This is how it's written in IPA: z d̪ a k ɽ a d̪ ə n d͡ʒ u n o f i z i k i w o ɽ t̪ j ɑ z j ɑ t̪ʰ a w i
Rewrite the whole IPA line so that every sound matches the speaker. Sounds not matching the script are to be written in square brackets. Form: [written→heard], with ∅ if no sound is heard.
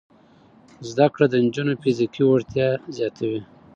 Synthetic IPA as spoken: z d̪ a k ɽ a d̪ ə n d͡ʒ u n o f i z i k i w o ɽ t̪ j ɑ z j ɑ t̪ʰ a w i